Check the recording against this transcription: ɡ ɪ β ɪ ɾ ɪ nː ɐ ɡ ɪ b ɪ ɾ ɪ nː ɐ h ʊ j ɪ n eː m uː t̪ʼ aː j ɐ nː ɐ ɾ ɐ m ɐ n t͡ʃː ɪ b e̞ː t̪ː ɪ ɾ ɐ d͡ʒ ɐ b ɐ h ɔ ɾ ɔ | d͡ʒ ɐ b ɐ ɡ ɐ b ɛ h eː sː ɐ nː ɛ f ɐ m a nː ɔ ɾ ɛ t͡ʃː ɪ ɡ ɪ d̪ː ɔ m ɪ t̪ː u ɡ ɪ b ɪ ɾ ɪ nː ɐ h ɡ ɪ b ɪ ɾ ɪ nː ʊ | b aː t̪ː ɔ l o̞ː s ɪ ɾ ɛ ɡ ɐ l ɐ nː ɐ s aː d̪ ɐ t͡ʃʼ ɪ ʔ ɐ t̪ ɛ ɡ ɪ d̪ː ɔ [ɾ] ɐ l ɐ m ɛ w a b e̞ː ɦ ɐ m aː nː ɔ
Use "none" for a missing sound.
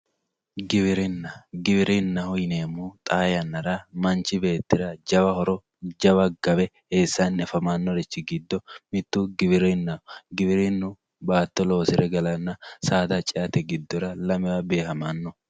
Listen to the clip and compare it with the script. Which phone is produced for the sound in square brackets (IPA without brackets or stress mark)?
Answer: ɾ